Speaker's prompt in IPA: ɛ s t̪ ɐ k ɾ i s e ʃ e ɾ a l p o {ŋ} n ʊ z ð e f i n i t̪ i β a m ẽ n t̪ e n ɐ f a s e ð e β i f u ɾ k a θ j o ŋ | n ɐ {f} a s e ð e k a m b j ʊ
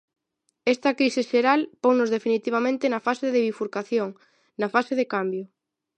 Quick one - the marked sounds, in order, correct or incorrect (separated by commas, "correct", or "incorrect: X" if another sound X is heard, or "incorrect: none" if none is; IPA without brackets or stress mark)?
correct, correct